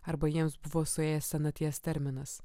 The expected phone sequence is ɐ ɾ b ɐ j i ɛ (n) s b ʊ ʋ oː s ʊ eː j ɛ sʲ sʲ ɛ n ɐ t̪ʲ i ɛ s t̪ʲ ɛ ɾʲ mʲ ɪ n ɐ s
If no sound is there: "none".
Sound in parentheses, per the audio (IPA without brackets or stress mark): m